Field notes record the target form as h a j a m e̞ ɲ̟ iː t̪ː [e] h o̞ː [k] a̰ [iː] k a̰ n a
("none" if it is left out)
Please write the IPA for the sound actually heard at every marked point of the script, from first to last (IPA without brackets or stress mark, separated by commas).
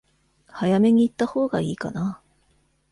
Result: a, ɡ, iː